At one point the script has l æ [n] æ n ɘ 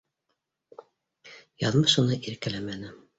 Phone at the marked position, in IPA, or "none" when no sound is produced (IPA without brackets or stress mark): m